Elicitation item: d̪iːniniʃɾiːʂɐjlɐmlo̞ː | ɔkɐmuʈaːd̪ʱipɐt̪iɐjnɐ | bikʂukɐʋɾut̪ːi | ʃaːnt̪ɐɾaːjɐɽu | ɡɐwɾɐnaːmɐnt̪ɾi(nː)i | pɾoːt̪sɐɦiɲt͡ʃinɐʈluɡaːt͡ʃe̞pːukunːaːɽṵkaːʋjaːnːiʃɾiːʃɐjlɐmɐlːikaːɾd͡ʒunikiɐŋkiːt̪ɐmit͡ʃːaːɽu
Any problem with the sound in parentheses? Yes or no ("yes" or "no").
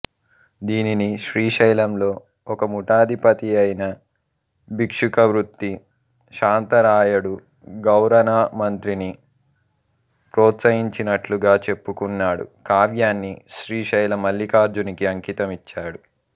yes